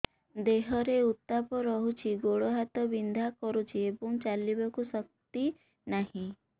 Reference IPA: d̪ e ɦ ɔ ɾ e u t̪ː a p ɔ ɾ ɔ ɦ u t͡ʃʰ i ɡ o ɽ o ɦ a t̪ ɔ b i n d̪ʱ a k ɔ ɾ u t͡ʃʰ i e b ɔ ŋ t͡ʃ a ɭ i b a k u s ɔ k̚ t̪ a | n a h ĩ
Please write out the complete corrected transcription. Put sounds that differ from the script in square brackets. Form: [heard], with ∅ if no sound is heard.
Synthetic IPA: d̪ e ɦ ɔ ɾ e u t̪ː a p ɔ ɾ ɔ ɦ u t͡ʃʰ i ɡ o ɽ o ɦ a t̪ ɔ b i n d̪ʱ a k ɔ ɾ u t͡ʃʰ i e b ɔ ŋ t͡ʃ a [l] i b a k u s ɔ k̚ t̪ [i] | n a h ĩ